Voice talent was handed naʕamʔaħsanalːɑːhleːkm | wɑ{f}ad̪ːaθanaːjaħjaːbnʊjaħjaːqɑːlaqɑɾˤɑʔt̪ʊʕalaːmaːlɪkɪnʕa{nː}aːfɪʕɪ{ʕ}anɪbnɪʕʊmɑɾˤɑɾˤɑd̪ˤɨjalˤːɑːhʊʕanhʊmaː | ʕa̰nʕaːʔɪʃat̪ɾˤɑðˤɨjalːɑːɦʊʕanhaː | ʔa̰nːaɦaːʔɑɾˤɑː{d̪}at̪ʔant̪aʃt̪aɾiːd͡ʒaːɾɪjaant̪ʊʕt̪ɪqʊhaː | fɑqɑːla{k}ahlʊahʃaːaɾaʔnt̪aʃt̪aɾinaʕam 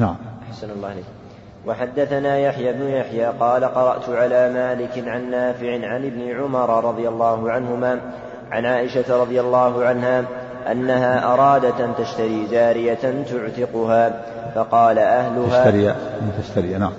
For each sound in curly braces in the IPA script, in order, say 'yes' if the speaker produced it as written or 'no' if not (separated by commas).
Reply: no, yes, yes, yes, no